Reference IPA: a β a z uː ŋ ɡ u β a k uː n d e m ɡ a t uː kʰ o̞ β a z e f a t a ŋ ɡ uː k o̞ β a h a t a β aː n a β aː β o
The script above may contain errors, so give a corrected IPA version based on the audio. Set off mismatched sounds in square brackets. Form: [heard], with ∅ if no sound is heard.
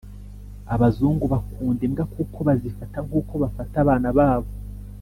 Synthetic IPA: a β a z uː ŋ ɡ u β a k uː n d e m ɡ a [k] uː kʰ o̞ β a z [i] f a t a ŋ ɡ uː k o̞ β a [f] a t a β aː n a β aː β o